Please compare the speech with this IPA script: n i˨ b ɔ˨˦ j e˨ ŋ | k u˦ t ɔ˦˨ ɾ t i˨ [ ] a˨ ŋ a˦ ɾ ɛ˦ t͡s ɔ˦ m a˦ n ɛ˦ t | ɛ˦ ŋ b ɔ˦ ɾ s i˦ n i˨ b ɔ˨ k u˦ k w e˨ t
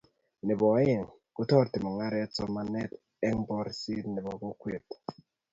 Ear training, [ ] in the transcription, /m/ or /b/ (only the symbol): m